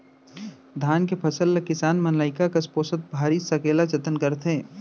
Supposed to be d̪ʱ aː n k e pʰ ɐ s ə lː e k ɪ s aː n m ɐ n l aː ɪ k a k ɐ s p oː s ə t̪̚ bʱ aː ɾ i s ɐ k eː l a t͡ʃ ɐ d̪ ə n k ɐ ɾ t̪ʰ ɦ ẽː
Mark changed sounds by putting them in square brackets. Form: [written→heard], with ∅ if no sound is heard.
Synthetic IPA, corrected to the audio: d̪ʱ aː n k e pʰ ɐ s ə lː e k ɪ s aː n m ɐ n l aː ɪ k a k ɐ s p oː s ə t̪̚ bʱ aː ɾ i s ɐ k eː l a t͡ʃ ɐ [d̪→t̪] ə n k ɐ ɾ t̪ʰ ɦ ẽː